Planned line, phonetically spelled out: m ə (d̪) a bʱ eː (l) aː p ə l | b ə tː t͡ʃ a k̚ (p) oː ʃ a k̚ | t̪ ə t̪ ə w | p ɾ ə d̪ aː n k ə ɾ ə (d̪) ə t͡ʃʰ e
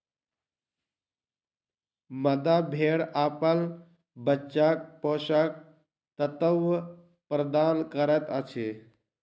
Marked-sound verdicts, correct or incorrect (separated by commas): correct, incorrect, correct, incorrect